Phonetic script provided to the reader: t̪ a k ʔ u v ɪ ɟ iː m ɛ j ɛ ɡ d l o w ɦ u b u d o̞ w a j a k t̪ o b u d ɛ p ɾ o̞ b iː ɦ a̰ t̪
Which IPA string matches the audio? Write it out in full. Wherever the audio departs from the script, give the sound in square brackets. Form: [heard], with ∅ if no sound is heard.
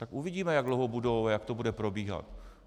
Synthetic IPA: t̪ a k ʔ u v ɪ ɟ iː m ɛ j [a] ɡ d l o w ɦ [o] b u d o̞ w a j a k t̪ o b u d ɛ p ɾ o̞ b iː ɦ a̰ t̪